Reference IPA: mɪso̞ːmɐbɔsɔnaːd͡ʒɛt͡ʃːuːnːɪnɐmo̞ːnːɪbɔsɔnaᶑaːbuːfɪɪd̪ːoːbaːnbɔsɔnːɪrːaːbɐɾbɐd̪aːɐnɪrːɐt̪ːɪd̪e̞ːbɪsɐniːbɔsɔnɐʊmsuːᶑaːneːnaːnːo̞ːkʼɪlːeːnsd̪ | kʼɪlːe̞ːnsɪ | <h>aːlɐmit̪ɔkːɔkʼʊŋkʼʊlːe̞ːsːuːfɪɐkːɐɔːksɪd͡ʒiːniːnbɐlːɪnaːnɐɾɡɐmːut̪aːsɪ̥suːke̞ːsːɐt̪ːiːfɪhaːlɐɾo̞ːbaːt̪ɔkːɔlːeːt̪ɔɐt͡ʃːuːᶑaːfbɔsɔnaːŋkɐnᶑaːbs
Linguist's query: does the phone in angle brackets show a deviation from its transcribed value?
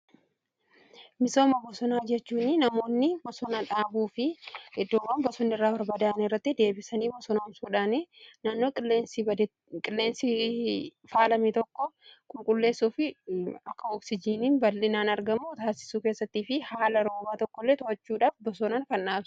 yes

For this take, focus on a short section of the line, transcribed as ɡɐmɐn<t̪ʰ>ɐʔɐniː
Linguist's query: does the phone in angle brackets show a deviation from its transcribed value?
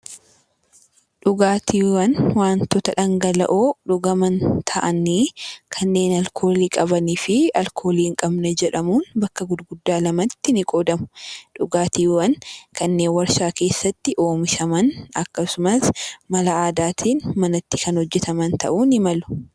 no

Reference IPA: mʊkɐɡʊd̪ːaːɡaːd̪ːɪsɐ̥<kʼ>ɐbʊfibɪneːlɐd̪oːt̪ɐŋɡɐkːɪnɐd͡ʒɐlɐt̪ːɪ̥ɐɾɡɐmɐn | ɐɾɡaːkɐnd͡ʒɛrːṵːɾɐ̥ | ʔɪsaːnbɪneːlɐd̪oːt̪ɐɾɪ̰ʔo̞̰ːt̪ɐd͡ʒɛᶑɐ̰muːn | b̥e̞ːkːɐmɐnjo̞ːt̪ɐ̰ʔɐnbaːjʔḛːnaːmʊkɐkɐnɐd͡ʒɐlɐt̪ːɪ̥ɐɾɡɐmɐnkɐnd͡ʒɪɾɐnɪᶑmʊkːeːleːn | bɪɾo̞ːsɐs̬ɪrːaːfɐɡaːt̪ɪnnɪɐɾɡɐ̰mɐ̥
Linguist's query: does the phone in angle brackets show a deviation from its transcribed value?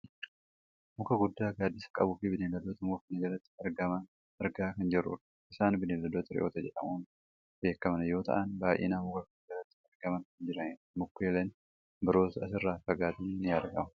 no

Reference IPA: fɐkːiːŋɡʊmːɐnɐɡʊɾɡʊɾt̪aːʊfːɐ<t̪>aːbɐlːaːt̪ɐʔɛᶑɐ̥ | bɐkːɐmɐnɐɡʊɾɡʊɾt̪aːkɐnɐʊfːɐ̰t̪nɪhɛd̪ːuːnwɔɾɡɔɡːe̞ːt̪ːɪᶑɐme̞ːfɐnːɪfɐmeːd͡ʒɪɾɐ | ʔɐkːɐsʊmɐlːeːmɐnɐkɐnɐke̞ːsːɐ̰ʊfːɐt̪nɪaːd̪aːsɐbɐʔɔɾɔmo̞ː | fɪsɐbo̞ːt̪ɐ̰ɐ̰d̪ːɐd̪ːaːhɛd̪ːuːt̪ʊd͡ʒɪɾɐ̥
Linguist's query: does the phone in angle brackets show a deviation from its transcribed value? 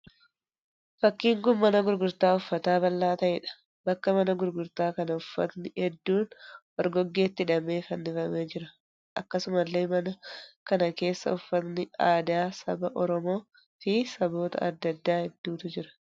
no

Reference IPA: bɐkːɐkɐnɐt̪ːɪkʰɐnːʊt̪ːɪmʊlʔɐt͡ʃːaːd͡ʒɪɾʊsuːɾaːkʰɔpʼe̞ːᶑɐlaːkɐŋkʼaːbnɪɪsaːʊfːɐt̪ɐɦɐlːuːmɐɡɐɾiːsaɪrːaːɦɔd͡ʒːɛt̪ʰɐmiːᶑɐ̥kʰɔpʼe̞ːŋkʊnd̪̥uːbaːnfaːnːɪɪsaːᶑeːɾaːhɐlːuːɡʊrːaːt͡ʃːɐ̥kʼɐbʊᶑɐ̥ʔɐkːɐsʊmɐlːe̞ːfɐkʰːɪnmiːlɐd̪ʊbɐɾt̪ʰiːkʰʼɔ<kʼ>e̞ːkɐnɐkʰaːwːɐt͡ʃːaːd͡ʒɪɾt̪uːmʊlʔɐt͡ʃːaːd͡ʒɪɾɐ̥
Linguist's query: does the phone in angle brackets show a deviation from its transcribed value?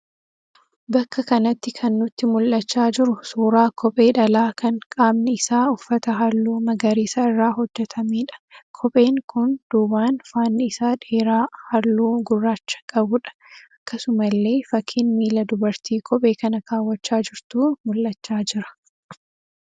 yes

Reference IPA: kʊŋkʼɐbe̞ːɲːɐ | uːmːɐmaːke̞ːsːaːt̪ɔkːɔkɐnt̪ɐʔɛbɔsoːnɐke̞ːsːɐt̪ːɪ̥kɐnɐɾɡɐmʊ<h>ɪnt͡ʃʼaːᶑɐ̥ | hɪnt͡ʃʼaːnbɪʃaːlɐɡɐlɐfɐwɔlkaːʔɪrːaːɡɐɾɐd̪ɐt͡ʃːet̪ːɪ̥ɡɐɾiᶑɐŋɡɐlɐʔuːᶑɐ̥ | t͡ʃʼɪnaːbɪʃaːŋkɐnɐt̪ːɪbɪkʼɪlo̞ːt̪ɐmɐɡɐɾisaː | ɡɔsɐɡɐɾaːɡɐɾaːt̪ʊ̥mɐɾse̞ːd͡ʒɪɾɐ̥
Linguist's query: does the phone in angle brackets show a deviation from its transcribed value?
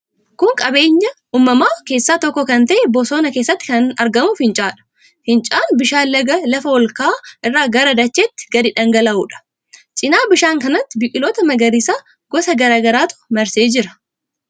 yes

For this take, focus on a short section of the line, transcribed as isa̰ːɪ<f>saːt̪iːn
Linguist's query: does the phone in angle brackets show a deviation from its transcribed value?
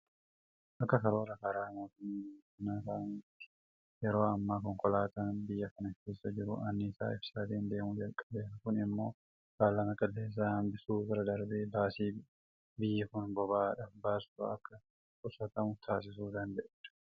no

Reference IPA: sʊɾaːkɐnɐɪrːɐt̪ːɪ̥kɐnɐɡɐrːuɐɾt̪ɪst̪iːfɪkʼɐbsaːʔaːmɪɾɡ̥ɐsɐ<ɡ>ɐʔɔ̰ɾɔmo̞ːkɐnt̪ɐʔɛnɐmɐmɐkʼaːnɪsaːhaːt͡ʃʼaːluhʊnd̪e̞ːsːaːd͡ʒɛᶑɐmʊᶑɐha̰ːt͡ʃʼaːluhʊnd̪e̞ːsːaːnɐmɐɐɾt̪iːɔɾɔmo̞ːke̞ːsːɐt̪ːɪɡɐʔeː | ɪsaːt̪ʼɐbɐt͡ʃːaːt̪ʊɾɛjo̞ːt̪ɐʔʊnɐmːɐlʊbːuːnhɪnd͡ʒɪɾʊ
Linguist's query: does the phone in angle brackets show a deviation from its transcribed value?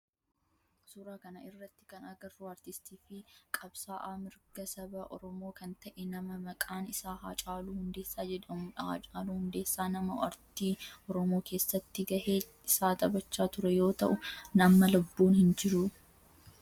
yes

